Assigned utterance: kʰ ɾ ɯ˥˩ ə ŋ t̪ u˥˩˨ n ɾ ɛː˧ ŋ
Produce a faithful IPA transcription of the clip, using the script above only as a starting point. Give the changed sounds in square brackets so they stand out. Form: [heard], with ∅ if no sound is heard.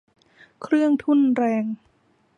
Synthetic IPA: kʰ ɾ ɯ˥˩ ə ŋ [t̪ʰ] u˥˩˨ n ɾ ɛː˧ ŋ